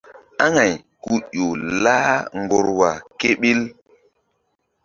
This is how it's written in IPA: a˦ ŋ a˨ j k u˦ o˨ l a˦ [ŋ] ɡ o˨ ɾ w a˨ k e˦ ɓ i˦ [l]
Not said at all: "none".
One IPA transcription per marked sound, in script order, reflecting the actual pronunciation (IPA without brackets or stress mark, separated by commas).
ŋ, l